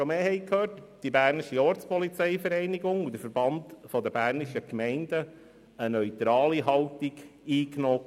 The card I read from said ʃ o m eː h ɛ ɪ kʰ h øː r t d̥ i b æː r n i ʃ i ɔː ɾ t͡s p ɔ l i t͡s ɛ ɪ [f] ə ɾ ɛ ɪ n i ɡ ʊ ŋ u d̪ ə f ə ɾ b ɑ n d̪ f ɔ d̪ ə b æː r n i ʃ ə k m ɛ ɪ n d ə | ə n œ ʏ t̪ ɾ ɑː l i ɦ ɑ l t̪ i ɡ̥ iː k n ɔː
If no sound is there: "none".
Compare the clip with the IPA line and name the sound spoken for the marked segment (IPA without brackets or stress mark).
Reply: f